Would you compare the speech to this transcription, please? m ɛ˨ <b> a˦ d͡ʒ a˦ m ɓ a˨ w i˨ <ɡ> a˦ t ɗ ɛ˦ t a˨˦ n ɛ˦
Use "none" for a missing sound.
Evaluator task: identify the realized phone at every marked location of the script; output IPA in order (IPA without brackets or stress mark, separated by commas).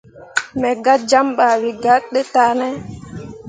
ɡ, ɡ